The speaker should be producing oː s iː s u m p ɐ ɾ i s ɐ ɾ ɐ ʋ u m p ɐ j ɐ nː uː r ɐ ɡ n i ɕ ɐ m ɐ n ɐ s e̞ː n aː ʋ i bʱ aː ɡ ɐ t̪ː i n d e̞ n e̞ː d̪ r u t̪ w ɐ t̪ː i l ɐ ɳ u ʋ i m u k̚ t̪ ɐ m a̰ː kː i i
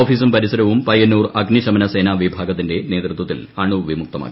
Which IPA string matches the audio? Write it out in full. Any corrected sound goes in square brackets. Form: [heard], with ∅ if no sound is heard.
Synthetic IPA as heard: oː [f] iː s u m p ɐ ɾ i s ɐ ɾ ɐ ʋ u m p ɐ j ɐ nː uː r ɐ ɡ n i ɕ ɐ m ɐ n ɐ s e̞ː n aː ʋ i bʱ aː ɡ ɐ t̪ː i n d e̞ n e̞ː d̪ r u t̪ w ɐ t̪ː i l ɐ ɳ u ʋ i m u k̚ t̪ ɐ m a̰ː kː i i